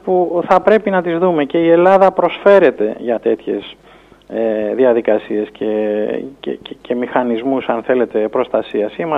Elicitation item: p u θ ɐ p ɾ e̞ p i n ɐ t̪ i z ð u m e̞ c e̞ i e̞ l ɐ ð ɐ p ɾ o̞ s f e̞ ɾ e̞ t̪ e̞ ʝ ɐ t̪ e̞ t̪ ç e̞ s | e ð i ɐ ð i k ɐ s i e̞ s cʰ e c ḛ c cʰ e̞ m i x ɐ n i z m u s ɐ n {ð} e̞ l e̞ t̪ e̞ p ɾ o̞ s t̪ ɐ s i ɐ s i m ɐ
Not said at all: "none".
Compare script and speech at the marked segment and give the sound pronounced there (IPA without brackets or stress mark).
θ